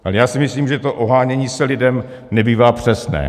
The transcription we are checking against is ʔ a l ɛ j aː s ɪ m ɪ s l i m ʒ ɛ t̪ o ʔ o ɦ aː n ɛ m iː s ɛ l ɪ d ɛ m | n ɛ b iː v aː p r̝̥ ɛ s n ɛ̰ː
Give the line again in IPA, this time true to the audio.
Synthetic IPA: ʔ a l ɛ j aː s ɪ m ɪ s l iː m ʒ ɛ t̪ o ʔ o ɦ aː ɲ ɛ ɲ iː s ɛ l ɪ d ɛ m | n ɛ b iː v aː p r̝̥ ɛ s n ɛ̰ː